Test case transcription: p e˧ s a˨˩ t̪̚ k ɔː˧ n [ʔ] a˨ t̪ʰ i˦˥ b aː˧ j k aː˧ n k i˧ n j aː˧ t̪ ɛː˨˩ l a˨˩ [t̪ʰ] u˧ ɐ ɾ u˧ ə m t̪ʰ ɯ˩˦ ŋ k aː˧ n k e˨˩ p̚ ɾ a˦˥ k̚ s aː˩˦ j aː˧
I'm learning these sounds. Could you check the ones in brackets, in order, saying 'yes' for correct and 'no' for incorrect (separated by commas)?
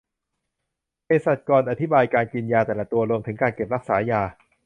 yes, no